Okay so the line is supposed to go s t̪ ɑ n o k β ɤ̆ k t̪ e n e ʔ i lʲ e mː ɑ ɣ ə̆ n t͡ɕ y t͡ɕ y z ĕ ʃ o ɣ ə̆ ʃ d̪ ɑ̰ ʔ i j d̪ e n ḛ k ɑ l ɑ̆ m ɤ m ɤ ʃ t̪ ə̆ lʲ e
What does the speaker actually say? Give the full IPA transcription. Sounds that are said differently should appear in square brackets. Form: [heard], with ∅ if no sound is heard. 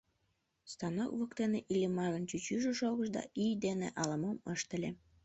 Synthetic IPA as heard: s t̪ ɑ n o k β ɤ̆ k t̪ e n e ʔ i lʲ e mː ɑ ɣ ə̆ n t͡ɕ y t͡ɕ y [ʒ] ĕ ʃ o ɣ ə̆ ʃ d̪ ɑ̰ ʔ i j d̪ e n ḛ [ʔ] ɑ l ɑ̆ m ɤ m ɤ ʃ t̪ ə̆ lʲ e